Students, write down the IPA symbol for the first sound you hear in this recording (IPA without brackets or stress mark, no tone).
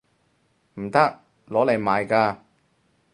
m̩